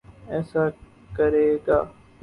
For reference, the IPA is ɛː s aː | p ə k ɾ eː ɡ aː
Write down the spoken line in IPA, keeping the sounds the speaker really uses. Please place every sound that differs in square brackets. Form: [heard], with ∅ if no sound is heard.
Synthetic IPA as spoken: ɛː s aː | [k] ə [∅] ɾ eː ɡ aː

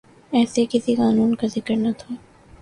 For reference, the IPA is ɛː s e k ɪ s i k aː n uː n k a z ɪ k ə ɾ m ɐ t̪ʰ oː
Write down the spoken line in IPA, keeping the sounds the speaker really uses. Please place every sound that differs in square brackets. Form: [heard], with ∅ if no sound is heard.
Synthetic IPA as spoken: ɛː s e k ɪ s i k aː n uː n k a z ɪ k ə ɾ [n] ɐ t̪ʰ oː

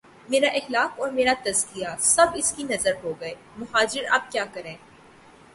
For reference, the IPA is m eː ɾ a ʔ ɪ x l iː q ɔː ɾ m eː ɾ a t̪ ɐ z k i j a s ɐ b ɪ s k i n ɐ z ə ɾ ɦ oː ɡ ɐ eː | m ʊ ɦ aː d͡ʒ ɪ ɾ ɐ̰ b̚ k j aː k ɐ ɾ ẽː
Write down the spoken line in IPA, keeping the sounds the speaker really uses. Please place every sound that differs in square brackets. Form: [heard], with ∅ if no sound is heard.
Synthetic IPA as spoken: m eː ɾ a ʔ ɪ x l [aː] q ɔː ɾ m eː ɾ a t̪ ɐ z k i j a s ɐ b ɪ s k i n ɐ z ə ɾ ɦ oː ɡ ɐ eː | m ʊ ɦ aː d͡ʒ ɪ ɾ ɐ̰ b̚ k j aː k ɐ ɾ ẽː

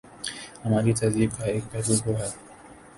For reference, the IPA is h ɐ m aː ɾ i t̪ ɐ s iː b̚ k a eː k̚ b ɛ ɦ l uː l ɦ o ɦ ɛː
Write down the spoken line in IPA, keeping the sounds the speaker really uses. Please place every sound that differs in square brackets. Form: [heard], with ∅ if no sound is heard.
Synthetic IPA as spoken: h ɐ m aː ɾ i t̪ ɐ [z] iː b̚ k a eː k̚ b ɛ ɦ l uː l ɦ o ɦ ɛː

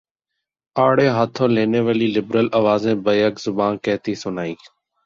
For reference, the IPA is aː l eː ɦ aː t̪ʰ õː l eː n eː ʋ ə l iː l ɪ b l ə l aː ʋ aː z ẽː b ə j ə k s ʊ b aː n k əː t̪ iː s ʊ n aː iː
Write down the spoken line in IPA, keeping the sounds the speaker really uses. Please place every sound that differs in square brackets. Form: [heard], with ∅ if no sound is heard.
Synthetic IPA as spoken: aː [ɽ] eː ɦ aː t̪ʰ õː l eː n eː ʋ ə l iː l ɪ b [ɾ] ə l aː ʋ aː z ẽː b ə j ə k [z] ʊ b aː n k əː t̪ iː s ʊ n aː iː

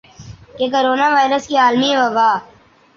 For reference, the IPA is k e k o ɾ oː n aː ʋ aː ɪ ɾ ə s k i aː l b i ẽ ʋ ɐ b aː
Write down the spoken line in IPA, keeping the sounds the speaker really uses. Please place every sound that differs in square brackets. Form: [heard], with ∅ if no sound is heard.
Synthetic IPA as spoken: k e k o ɾ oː n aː ʋ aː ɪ ɾ ə s k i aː l [m] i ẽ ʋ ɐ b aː

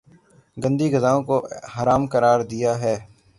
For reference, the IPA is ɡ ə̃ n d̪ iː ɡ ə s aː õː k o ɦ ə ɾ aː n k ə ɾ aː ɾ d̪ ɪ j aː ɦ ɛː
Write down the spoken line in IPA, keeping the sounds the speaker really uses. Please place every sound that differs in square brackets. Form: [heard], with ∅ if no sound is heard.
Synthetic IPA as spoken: ɡ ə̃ n d̪ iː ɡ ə [z] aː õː k o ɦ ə ɾ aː [m] k ə ɾ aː ɾ d̪ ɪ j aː ɦ ɛː

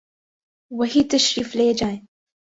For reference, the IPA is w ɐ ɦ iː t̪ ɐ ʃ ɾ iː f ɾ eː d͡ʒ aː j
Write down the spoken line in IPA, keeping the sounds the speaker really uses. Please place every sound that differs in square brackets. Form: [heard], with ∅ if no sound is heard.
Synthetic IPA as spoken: w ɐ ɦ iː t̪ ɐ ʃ ɾ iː f [l] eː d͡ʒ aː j

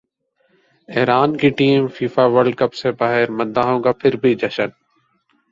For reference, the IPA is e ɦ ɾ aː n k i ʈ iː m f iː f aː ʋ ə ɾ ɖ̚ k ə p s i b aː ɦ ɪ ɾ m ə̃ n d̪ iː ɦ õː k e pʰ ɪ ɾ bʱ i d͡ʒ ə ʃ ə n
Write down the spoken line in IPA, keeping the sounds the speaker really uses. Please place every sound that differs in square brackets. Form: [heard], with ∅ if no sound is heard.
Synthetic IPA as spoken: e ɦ ɾ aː n k i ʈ iː m f iː f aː ʋ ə ɾ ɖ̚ k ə p s [e] b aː ɦ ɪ ɾ m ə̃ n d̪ [aː] ɦ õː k [a] pʰ ɪ ɾ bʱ i d͡ʒ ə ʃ ə n

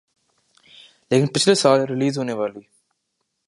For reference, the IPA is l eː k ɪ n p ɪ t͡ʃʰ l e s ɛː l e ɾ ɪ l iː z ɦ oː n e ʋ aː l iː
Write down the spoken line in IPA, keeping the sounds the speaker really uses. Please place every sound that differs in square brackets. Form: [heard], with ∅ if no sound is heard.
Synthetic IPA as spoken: l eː k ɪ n p ɪ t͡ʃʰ l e s [aː] l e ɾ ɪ l iː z ɦ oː n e ʋ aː l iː

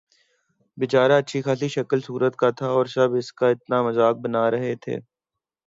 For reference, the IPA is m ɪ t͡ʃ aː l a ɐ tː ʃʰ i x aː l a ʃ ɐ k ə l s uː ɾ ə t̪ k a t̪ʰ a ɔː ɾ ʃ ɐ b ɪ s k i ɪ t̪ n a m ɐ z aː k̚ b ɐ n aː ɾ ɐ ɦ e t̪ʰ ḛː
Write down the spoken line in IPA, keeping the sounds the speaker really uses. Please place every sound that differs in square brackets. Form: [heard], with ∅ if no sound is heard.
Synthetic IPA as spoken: [b] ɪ t͡ʃ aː [ɾ] a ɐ tː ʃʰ i x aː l [i] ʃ ɐ k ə l s uː ɾ ə t̪ k a t̪ʰ a ɔː ɾ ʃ ɐ b ɪ s k [a] ɪ t̪ n a m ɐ z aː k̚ b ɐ n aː ɾ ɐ ɦ e t̪ʰ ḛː

